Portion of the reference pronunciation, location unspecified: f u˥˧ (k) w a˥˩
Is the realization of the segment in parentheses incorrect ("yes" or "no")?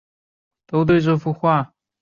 yes